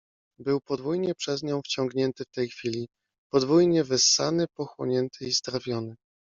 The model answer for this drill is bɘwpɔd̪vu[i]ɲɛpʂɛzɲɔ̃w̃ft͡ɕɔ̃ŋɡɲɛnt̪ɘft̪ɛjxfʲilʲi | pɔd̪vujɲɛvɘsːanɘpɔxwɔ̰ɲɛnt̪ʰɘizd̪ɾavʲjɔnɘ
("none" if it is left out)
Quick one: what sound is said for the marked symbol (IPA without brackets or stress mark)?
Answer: j